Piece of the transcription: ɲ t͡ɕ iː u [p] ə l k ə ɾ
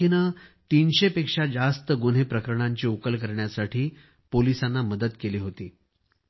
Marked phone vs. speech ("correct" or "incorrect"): incorrect